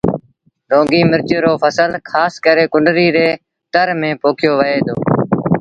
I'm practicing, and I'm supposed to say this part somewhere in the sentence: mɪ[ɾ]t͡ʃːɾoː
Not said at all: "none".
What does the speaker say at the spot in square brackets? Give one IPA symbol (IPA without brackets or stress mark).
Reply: ɾ